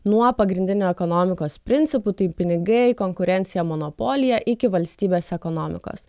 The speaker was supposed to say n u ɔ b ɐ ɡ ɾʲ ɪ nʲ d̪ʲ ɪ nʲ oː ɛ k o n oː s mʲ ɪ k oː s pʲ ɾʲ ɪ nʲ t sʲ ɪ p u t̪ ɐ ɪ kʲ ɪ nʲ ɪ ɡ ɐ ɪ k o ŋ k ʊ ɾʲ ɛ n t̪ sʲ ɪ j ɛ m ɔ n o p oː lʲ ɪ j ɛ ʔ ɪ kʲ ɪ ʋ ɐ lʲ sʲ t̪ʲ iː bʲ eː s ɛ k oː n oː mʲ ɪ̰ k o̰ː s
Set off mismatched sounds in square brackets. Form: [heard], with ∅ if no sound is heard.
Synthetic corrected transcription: n u ɔ [p] ɐ ɡ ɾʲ ɪ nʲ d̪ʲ ɪ nʲ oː ɛ k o n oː [∅] mʲ ɪ k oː s pʲ ɾʲ ɪ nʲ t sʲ ɪ p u t̪ ɐ ɪ [pʲ] ɪ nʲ ɪ ɡ ɐ ɪ k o ŋ k ʊ ɾʲ ɛ n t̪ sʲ ɪ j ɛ m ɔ n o p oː lʲ ɪ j ɛ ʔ ɪ kʲ ɪ ʋ ɐ lʲ sʲ t̪ʲ iː bʲ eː s ɛ k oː n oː mʲ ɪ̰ k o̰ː s